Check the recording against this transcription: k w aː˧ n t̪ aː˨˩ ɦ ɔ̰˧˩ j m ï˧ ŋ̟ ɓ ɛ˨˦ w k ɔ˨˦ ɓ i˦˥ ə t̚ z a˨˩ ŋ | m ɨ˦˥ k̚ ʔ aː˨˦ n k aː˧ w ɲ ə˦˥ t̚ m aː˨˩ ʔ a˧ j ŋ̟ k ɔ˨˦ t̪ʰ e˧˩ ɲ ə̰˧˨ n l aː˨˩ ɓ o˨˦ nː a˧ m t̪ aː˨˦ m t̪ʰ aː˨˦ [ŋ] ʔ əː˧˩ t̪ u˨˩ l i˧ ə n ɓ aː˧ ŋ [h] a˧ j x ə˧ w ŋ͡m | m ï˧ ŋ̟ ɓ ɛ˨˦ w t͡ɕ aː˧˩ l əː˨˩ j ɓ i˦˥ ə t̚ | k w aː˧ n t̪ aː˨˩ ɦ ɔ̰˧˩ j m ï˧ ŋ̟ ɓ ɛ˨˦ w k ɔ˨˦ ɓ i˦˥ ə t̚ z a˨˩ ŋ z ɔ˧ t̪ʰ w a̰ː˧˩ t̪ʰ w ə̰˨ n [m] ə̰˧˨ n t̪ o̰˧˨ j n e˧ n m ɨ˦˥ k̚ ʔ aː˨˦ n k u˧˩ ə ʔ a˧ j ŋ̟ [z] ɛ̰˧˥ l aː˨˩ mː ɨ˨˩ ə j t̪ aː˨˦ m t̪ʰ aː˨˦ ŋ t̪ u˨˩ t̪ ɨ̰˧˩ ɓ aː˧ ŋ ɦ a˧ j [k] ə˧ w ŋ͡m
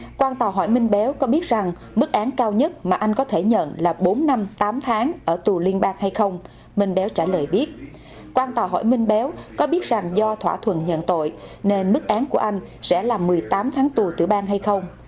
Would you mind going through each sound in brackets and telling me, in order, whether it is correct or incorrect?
correct, correct, incorrect: ɲ, incorrect: s, incorrect: x

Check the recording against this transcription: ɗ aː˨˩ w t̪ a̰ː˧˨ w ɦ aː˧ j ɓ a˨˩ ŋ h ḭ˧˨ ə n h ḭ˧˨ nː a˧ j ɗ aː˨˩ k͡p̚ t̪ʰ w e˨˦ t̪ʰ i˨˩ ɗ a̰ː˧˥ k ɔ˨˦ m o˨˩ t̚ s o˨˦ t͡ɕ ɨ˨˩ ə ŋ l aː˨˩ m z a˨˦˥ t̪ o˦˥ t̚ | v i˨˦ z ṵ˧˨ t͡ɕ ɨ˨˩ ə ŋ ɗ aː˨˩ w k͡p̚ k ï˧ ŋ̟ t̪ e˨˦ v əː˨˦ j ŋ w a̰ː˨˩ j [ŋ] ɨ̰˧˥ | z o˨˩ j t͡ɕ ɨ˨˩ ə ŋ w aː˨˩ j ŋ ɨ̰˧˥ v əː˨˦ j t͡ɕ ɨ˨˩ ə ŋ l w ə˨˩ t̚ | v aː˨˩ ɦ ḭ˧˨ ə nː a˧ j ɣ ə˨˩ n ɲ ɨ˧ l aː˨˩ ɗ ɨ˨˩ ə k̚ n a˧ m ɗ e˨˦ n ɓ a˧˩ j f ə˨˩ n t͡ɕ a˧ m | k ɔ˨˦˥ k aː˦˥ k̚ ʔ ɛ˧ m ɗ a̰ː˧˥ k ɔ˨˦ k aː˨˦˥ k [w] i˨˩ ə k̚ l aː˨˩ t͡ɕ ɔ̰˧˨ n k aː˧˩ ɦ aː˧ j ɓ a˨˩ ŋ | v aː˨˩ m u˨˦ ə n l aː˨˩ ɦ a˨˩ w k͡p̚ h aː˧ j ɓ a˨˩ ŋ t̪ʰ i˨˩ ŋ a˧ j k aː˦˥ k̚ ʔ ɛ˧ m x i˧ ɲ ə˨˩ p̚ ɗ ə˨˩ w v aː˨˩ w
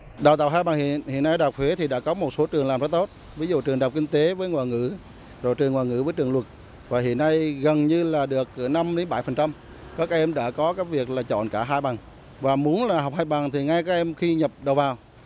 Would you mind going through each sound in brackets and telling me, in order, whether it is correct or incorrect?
correct, incorrect: v

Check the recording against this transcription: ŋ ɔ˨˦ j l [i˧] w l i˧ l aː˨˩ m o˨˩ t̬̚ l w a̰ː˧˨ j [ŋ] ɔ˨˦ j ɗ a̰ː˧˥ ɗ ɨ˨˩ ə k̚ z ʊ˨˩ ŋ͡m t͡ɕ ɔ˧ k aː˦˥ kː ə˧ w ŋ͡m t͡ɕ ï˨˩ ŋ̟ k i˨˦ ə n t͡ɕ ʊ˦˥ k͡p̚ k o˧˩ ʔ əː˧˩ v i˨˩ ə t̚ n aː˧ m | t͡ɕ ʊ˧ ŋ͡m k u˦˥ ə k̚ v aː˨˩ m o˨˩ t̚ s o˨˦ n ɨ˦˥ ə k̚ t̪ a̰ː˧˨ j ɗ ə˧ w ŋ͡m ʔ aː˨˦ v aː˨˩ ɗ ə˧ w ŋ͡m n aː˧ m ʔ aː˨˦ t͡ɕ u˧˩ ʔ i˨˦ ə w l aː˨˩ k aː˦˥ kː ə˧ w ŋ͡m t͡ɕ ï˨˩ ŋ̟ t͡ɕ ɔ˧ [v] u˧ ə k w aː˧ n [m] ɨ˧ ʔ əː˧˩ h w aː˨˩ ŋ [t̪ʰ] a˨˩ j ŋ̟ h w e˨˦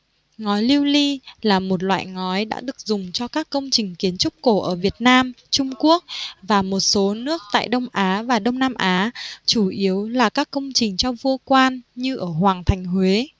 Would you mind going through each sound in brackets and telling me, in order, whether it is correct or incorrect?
correct, correct, correct, incorrect: ɲ, correct

